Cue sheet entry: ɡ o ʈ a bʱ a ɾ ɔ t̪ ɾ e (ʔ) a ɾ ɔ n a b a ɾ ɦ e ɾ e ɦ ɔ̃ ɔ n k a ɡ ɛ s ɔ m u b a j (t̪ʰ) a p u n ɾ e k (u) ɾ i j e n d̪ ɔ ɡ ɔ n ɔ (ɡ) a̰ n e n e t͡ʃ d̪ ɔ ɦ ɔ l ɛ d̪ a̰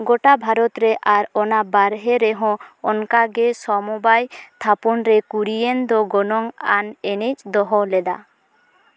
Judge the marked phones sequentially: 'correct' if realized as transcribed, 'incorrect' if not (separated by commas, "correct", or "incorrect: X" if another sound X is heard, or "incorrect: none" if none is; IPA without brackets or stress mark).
correct, correct, correct, incorrect: ŋ